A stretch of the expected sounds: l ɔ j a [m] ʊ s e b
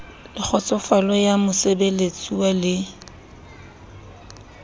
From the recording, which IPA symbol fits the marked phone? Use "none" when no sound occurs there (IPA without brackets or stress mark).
m